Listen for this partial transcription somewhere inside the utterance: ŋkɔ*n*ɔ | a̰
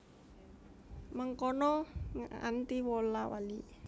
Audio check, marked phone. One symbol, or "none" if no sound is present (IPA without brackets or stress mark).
n